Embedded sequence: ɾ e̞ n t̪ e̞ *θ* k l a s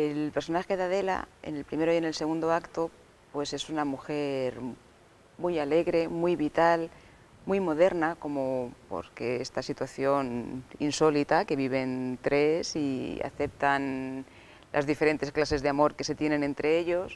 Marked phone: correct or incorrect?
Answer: incorrect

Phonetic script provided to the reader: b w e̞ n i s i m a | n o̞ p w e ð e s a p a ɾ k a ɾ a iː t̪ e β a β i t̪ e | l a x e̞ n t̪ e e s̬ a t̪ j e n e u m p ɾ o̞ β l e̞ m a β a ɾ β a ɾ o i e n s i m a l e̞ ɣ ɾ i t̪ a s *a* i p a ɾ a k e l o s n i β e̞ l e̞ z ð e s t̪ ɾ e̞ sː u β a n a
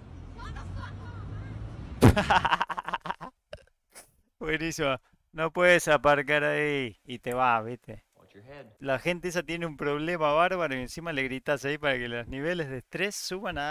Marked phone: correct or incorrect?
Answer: correct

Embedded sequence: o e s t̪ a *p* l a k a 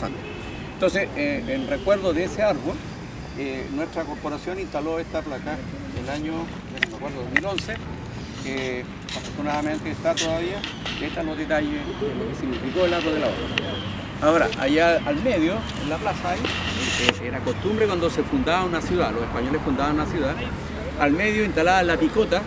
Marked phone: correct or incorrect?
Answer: correct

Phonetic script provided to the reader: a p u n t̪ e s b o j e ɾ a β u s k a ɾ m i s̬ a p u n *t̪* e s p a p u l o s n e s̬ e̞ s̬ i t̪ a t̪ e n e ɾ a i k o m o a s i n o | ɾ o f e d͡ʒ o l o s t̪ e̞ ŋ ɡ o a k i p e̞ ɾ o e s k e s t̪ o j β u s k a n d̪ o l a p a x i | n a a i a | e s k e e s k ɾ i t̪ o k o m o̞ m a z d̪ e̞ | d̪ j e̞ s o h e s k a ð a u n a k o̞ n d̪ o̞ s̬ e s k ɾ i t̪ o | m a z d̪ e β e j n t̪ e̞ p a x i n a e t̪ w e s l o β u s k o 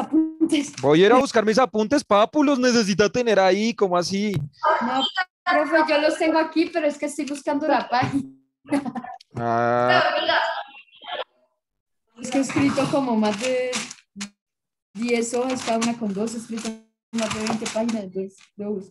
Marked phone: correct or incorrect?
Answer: correct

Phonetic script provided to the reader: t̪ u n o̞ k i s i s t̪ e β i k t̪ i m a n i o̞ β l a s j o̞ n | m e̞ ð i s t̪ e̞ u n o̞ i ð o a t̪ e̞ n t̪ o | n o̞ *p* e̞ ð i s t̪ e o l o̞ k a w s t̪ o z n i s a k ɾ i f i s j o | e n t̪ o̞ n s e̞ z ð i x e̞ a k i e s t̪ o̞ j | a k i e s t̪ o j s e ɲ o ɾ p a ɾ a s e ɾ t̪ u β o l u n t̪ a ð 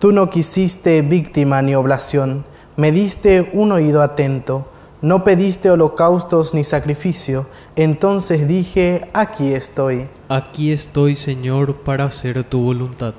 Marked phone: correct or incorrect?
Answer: correct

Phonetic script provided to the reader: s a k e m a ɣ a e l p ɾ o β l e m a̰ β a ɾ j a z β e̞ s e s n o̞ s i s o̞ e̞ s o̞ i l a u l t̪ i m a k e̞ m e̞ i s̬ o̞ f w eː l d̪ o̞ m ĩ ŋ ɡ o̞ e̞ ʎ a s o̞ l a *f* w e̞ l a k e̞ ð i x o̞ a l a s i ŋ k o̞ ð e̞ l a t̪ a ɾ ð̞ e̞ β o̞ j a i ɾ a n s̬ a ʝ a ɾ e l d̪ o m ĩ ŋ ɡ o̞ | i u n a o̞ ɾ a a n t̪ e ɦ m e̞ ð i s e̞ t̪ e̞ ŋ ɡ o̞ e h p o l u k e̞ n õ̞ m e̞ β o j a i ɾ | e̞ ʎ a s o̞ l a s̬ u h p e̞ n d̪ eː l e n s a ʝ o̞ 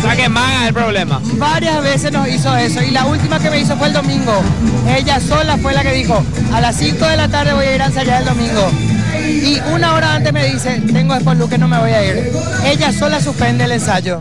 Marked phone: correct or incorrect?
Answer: correct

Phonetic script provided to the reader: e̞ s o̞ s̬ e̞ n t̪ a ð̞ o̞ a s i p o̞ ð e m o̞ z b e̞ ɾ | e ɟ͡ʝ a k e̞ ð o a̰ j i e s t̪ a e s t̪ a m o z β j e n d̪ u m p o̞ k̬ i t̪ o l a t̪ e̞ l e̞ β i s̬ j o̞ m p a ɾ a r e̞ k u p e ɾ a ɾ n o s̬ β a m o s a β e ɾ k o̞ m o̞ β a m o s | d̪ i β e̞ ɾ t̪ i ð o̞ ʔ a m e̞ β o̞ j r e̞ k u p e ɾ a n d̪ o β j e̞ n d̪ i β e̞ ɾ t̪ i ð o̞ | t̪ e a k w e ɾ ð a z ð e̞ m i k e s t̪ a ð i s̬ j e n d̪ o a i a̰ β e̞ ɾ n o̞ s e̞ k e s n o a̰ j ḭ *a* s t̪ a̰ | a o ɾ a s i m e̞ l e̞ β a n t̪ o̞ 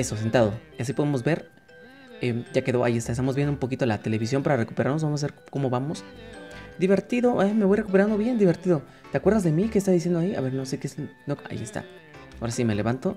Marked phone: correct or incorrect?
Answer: incorrect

